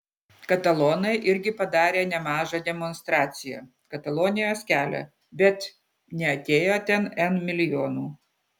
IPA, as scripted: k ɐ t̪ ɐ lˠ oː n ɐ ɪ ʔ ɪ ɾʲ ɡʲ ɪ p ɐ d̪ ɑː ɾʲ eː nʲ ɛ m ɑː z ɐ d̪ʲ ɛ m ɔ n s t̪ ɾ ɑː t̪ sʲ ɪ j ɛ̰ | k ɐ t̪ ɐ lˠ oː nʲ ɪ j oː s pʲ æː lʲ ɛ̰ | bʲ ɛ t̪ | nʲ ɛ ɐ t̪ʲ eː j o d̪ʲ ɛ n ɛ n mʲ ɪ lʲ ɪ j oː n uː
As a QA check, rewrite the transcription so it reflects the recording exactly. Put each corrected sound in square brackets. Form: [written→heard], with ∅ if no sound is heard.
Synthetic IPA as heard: k ɐ t̪ ɐ lˠ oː n ɐ ɪ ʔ ɪ ɾʲ ɡʲ ɪ p ɐ d̪ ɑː ɾʲ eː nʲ ɛ m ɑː [z→ʒ] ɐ d̪ʲ ɛ m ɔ n s t̪ ɾ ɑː t̪ sʲ ɪ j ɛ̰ | k ɐ t̪ ɐ lˠ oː nʲ ɪ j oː s [pʲ→kʲ] æː lʲ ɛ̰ | bʲ ɛ t̪ | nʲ ɛ ɐ t̪ʲ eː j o [d̪ʲ→t̪ʲ] ɛ n ɛ n mʲ ɪ lʲ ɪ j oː n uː